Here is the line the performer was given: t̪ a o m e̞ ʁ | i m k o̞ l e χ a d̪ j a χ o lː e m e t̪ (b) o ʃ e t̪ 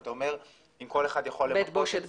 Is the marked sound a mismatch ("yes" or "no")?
no